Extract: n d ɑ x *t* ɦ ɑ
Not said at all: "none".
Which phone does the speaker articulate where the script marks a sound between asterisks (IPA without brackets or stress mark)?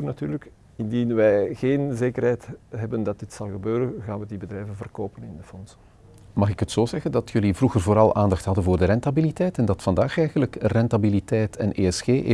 t